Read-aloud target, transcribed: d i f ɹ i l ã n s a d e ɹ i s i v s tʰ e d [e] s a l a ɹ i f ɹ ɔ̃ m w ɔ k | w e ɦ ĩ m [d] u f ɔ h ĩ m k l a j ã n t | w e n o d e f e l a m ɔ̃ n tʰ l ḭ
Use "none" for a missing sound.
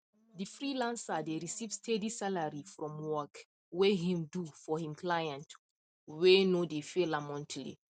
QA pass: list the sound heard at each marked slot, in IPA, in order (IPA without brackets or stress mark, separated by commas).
i, d